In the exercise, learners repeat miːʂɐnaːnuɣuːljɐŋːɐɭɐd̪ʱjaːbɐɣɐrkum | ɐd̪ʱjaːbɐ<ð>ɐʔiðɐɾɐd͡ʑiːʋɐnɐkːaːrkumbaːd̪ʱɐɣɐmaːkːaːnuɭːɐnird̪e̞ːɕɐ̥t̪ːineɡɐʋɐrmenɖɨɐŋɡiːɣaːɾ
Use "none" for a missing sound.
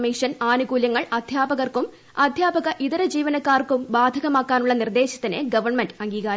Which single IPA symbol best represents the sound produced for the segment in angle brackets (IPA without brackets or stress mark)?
ɣ